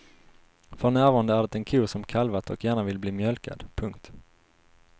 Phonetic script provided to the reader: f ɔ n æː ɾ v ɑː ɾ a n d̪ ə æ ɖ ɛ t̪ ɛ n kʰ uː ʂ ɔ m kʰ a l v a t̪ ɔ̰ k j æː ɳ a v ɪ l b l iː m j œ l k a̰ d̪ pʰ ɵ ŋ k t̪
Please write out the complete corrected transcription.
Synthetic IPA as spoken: f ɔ n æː ɾ v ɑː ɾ a n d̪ ə æ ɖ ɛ t̪ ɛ n kʰ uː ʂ ɔ m kʰ a l v a t̪ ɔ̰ k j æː ɳ a v ɪ l b l iː m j œ l k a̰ d̪ pʰ ɵ ŋ k t̪